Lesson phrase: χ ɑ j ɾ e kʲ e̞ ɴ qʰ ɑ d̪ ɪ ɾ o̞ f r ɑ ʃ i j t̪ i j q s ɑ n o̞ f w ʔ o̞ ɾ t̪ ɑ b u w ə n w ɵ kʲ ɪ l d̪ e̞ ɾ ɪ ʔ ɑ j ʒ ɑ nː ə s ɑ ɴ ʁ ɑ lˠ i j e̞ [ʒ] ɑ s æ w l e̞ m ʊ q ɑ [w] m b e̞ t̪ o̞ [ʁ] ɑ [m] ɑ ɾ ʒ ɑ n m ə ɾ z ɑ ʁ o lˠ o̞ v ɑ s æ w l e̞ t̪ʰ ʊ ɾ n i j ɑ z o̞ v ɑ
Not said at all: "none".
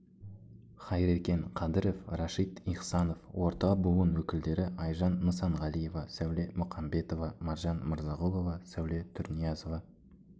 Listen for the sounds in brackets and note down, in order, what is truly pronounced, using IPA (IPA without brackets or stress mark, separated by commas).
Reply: v, none, v, m